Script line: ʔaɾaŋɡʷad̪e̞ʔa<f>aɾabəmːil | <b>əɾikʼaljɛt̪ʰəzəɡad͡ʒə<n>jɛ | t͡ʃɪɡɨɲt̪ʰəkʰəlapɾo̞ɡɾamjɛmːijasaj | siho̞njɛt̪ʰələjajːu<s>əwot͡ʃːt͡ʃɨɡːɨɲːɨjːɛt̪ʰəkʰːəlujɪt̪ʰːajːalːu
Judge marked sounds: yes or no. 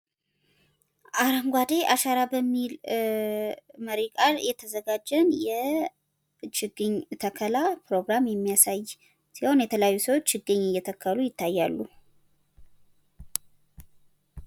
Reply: no, no, yes, yes

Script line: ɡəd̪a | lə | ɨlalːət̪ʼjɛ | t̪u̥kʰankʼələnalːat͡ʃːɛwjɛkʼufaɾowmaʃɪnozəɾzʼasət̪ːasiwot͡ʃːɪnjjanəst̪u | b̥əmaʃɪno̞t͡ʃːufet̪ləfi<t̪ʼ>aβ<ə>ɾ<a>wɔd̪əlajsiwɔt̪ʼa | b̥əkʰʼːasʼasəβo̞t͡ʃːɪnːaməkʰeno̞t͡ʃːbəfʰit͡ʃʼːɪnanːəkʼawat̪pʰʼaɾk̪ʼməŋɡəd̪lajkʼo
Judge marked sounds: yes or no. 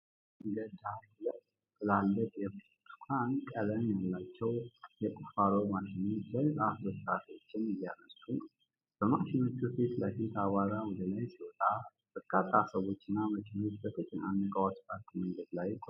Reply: no, no, yes

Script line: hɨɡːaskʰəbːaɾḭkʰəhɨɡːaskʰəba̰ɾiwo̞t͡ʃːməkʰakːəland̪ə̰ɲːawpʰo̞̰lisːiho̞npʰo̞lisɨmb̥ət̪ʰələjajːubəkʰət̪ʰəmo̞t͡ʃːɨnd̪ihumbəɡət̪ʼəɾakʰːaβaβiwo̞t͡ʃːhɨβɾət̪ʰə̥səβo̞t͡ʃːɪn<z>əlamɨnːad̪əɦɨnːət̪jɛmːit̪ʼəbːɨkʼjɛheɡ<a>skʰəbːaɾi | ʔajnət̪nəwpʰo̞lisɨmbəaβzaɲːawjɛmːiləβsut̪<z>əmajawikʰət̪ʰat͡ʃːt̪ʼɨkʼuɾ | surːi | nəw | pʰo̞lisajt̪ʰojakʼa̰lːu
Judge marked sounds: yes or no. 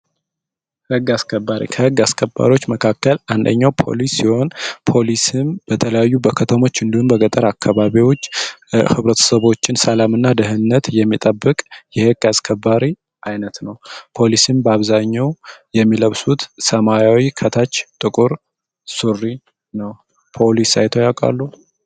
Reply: no, yes, no

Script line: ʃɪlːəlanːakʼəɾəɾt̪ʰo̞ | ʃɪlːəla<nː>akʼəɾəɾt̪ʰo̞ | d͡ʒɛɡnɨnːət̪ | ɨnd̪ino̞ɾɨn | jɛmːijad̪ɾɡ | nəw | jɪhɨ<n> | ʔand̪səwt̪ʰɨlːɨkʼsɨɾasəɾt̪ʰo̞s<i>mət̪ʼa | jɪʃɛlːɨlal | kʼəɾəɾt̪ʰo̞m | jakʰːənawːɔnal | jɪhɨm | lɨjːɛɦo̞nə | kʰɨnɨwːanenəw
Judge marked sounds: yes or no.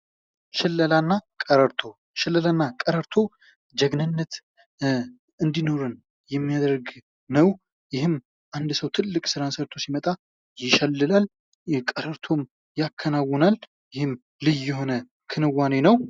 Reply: yes, no, yes

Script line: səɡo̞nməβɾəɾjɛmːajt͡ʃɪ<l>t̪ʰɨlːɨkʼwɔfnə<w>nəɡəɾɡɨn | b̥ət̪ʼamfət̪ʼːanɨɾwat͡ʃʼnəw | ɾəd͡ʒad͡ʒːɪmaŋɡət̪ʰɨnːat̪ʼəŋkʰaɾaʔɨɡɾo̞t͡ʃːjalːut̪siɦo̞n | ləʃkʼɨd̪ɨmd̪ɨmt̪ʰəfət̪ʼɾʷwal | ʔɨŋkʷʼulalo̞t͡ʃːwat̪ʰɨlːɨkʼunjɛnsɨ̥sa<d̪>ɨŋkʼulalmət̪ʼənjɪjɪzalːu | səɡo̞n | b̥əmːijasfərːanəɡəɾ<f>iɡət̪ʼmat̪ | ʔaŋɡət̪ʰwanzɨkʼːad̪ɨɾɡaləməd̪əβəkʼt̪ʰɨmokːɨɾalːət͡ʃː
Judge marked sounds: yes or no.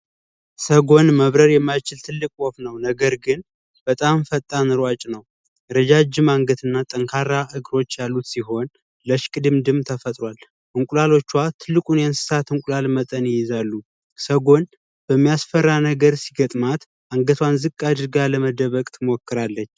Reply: yes, yes, no, no

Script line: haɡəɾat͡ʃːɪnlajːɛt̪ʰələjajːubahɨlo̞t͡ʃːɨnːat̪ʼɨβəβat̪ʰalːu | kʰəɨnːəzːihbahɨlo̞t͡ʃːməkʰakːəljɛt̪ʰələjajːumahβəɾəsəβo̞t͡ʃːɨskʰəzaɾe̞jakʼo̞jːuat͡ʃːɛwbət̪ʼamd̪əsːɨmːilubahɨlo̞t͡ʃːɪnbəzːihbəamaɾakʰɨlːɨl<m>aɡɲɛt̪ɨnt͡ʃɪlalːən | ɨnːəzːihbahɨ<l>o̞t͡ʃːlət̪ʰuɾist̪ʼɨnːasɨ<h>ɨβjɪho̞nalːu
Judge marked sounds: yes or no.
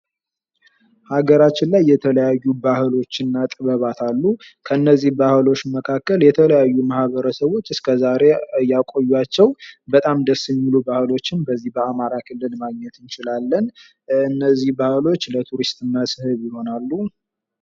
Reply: yes, yes, yes

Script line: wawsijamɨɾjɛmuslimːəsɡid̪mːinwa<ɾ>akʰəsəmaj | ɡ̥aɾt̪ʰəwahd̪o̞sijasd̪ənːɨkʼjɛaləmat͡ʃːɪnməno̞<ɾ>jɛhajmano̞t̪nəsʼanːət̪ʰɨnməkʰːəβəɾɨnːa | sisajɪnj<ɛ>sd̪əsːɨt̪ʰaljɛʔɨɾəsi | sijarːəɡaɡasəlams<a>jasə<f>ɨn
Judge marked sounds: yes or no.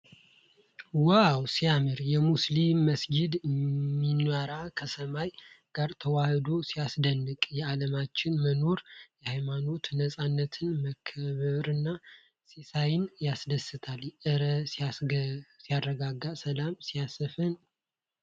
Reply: yes, yes, no, no, yes

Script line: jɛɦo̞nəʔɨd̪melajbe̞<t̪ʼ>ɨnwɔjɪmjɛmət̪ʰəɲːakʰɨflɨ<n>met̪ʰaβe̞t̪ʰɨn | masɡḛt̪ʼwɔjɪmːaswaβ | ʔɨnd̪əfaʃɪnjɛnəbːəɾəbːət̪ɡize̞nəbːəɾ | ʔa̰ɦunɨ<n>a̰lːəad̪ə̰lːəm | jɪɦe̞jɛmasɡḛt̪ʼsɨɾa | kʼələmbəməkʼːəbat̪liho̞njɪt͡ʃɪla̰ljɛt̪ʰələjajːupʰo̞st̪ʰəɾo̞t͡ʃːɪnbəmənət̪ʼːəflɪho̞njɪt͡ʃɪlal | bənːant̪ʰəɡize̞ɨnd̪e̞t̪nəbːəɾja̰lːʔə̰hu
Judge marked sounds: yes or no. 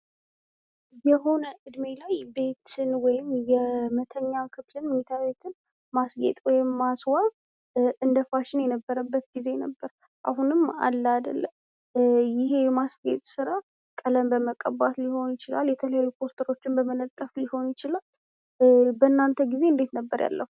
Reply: no, yes, no

